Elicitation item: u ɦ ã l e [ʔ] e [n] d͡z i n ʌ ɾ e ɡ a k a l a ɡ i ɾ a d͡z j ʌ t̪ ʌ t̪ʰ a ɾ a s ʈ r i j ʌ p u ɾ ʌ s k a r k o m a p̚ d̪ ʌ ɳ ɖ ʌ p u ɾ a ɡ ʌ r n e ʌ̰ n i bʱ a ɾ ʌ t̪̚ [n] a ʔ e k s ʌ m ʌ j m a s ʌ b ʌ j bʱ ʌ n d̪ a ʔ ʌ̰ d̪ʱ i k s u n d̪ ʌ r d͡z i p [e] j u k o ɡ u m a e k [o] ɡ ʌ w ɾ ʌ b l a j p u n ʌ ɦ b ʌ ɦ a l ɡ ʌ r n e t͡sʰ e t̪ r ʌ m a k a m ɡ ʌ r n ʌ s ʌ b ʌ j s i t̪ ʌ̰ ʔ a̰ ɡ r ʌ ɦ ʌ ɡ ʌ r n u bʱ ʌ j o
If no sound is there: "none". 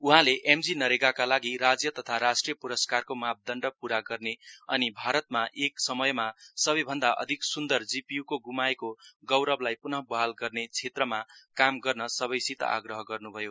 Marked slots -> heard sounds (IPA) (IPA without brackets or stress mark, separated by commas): ʔ, m, m, i, o